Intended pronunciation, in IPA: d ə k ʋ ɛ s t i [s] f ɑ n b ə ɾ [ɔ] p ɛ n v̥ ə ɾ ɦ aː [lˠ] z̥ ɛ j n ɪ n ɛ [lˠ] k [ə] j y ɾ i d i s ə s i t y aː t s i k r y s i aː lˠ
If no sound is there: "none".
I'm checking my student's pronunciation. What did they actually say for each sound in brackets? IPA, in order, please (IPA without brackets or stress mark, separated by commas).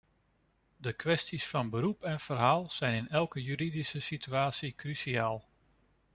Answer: s, u, lˠ, lˠ, ə